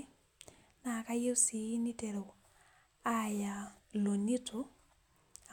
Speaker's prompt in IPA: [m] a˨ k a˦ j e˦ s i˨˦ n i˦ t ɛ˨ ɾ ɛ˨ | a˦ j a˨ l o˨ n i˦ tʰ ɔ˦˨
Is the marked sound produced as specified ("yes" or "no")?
no